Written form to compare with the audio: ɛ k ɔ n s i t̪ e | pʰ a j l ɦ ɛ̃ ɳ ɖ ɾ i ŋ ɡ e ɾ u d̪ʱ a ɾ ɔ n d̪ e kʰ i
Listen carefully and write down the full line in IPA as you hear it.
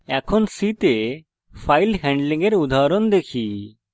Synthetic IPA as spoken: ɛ kʰ ɔ n s i t̪ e | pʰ a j l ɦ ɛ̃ ɳ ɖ l i ŋ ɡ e ɾ u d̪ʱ a ɾ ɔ n d̪ e kʰ i